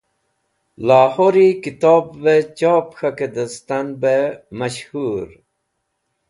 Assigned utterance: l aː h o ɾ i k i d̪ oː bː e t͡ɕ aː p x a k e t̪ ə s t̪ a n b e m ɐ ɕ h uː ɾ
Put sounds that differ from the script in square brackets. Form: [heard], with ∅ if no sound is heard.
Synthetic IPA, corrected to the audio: l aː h o ɾ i k i [t̪] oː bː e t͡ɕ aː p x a k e [d̪] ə s t̪ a n b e m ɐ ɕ h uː ɾ